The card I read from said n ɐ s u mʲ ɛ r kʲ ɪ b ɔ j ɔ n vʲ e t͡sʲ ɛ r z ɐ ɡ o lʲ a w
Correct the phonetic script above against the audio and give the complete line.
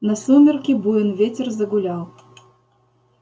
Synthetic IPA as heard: n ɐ s u mʲ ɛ r kʲ i b u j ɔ n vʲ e t͡sʲ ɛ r z ɐ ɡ u lʲ a w